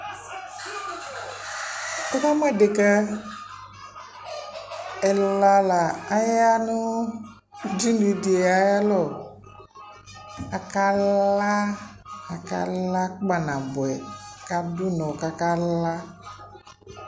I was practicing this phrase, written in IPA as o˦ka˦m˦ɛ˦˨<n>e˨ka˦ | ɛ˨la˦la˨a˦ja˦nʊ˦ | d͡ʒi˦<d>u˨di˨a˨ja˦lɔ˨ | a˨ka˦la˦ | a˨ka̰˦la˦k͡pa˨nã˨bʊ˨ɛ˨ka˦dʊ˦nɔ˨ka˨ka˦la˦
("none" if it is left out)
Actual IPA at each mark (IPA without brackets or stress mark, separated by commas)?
d, n